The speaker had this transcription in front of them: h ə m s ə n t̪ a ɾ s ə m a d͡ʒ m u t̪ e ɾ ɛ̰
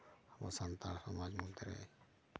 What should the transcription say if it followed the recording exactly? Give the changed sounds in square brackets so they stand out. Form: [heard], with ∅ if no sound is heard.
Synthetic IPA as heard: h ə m s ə n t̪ a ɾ s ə m a d͡ʒ m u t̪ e ɾ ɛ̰